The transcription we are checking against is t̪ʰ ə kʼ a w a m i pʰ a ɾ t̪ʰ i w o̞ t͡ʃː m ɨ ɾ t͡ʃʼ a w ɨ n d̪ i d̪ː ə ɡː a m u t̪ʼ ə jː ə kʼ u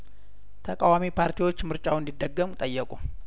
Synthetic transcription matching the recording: t̪ʰ ə kʼ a w a m i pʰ a ɾ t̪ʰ i w o̞ t͡ʃː m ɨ ɾ t͡ʃʼ a w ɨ n d̪ i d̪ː ə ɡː ə m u t̪ʼ ə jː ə kʼ u